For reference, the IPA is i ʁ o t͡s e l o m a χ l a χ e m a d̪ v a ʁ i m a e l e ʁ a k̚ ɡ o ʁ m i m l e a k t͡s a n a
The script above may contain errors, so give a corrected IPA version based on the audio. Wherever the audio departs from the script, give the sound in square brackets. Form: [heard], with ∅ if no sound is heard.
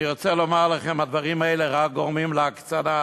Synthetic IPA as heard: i ʁ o t͡s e l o m a [ʁ] l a χ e m a d̪ v a ʁ i m a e l e ʁ a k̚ ɡ o ʁ m i m l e a k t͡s a n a